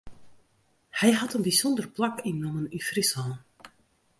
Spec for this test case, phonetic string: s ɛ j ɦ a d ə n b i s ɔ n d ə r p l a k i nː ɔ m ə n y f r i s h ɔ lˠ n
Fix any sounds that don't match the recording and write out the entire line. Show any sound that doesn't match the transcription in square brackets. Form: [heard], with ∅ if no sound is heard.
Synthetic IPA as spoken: [h] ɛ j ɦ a [t] ə n b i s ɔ n d ə r p l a k i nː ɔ m ə n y f r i s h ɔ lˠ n